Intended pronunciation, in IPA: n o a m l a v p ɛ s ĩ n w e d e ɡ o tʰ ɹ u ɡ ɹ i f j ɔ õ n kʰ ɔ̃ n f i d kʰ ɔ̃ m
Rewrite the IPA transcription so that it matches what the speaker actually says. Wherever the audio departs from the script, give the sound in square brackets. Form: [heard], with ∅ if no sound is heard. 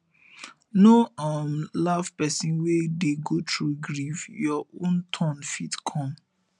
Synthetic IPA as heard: n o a m l a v p ɛ s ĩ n w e d e ɡ o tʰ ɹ u ɡ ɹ i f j ɔ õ n [tʰ] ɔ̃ n f i [t] kʰ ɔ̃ m